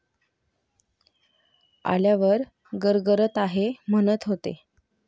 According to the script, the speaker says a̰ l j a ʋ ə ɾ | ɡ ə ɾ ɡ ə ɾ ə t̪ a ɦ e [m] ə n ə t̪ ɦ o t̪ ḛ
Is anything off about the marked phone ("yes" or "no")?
no